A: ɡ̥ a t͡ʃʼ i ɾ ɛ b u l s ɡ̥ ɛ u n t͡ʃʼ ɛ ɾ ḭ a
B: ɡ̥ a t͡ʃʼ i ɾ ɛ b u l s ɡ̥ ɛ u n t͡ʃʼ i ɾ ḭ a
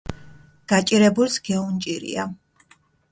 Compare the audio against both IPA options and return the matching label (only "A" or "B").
B